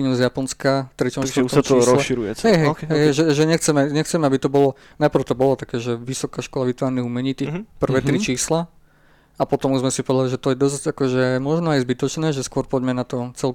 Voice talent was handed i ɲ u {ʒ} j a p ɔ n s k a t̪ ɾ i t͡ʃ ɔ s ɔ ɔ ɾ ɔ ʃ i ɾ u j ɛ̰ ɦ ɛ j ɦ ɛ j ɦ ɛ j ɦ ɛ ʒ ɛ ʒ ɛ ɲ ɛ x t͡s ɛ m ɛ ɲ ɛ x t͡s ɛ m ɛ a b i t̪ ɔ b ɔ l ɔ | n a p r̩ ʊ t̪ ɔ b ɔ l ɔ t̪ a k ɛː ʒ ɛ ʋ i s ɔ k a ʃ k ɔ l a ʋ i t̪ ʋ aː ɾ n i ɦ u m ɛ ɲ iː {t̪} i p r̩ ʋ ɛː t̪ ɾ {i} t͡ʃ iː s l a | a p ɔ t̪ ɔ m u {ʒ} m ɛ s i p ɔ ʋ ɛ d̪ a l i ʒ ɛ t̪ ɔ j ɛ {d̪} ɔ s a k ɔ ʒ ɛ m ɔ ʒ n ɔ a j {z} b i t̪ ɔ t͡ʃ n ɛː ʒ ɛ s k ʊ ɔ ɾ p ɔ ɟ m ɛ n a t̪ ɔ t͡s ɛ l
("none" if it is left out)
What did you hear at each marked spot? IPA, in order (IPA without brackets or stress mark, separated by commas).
z, t̪, i, z, d̪, z